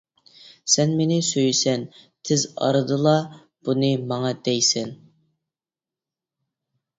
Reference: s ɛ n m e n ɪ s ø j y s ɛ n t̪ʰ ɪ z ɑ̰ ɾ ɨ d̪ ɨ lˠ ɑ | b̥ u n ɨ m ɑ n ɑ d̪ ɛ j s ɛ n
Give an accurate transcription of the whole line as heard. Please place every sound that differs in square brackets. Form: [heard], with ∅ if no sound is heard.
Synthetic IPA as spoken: s ɛ n m e n ɪ s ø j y s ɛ n t̪ʰ ɪ z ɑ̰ ɾ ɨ d̪ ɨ lˠ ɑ | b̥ u n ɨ m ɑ [ŋ] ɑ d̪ ɛ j s ɛ n